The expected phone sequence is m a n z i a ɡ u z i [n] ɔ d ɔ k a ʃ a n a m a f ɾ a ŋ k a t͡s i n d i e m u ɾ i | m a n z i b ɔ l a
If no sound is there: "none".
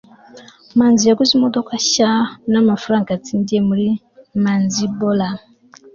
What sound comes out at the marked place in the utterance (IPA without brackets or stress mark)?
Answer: m